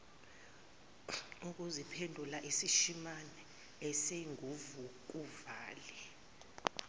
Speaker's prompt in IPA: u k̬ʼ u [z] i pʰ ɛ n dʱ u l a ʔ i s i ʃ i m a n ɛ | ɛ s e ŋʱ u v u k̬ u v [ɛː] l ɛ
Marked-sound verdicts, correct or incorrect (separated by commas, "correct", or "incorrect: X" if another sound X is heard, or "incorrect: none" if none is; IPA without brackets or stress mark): correct, incorrect: aː